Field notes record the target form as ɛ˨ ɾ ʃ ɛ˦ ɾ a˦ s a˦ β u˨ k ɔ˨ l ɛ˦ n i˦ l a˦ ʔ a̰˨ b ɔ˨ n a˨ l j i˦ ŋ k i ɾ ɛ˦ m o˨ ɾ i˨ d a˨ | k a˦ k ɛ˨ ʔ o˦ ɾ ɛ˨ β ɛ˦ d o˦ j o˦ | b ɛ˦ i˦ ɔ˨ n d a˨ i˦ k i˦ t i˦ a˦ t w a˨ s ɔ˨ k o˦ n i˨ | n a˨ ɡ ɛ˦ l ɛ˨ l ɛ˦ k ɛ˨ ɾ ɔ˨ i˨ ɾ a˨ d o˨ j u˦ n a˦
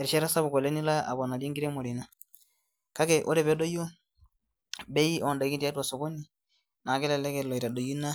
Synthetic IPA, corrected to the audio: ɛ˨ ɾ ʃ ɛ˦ ɾ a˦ s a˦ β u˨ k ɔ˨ l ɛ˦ n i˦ l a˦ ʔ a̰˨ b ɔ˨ n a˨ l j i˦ ŋ ɡ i ɾ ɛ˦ m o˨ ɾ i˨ n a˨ | k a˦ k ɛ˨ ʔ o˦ ɾ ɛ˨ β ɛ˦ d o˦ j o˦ | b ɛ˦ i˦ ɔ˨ n d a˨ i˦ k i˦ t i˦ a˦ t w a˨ s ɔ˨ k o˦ n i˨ | n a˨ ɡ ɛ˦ l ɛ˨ l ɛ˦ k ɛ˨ l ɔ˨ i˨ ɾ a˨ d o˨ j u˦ n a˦